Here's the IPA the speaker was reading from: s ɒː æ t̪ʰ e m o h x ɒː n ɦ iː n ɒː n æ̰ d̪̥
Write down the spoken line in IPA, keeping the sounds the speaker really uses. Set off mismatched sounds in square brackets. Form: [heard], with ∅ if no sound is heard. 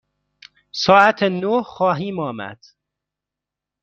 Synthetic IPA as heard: s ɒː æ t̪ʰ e [n] o h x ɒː [∅] ɦ iː [m] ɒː [m] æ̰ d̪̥